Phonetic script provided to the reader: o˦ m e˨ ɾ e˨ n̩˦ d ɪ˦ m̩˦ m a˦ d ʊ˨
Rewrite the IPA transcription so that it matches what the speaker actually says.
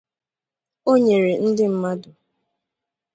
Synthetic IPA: o˦ ɲ e˨ ɾ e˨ n̩˦ d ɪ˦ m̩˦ m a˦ d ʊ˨